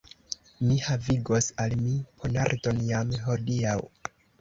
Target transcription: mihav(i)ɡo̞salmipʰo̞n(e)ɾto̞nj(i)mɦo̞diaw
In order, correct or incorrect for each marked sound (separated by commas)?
correct, incorrect, incorrect